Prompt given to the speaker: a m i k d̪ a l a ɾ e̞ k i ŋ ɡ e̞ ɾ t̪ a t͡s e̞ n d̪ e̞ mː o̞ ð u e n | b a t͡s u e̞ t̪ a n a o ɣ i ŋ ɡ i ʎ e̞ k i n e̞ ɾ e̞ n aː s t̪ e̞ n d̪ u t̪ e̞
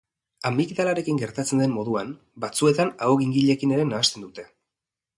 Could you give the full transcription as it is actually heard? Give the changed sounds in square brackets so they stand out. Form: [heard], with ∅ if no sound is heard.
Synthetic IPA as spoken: a m i k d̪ a l a ɾ e̞ k i ŋ ɡ e̞ ɾ t̪ a t͡s e̞ n d̪ e̞ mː o̞ ð u [a] n | b a t͡s u e̞ t̪ a n a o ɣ i ŋ ɡ i ʎ e̞ k i n e̞ ɾ e̞ n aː s t̪ e̞ n d̪ u t̪ e̞